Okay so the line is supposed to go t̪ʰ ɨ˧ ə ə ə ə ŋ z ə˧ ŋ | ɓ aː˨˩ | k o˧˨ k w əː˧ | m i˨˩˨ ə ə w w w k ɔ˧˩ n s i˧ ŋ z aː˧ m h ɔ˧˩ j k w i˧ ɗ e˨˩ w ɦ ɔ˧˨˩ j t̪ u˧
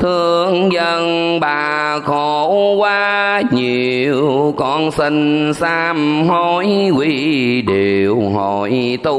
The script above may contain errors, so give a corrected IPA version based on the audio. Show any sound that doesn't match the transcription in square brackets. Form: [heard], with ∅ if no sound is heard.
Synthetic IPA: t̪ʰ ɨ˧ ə ə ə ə ŋ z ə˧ ŋ | ɓ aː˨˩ | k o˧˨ k w [aː˧] | [ɲ] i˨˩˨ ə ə w w w k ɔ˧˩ n s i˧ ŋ [s] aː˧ m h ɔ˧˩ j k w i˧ ɗ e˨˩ w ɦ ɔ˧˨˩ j t̪ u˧